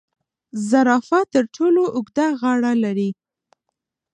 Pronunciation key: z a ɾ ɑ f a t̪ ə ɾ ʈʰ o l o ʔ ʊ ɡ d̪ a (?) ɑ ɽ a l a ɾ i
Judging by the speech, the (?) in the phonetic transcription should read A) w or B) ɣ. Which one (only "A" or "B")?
B